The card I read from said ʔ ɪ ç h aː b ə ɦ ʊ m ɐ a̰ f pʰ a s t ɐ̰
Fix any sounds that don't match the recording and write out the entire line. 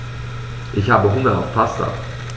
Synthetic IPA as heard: ʔ ɪ ç h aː b ə ɦ ʊ ŋ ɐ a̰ f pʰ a s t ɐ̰